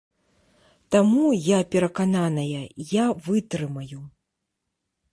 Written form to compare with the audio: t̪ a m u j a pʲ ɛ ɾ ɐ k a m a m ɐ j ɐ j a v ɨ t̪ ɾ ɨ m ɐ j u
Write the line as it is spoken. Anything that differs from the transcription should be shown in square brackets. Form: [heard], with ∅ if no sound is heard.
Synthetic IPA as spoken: t̪ a m u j a pʲ ɛ ɾ ɐ k a [n] a [n] ɐ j ɐ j a v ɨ t̪ ɾ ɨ m ɐ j u